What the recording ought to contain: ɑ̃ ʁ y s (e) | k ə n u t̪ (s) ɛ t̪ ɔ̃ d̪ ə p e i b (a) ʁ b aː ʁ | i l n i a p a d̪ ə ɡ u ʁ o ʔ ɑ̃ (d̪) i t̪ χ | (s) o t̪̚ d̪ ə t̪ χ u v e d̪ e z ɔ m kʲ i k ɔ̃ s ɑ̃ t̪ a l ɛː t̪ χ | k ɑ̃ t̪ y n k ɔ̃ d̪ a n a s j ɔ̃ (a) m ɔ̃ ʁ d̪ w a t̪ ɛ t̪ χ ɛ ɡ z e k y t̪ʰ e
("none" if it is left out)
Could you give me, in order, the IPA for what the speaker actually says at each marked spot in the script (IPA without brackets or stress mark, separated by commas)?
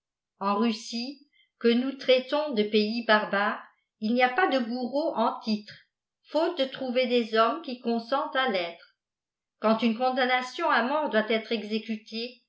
i, χ, a, t̪, f, a